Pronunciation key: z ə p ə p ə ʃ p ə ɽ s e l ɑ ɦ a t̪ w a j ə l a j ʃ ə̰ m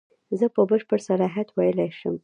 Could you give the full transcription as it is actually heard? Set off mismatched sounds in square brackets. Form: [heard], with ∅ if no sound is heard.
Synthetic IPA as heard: z ə p ə [b] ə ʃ p ə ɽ s [a] l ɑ ɦ a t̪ w a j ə l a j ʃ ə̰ m